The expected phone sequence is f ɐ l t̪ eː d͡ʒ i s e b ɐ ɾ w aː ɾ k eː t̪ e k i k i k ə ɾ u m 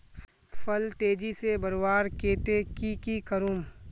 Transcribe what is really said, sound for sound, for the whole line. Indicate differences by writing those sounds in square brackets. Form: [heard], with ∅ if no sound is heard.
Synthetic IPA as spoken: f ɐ l t̪ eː d͡ʒ i s e b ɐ ɾ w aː ɾ k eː t̪ e k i k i k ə ɾ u m